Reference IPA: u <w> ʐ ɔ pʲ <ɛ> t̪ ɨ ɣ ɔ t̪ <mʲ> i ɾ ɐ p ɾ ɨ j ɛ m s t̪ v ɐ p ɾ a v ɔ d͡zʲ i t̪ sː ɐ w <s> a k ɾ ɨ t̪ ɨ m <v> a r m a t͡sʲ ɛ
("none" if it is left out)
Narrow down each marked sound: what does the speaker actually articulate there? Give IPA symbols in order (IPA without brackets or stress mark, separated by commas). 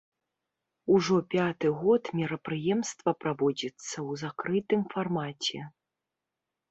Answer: none, a, mʲ, z, f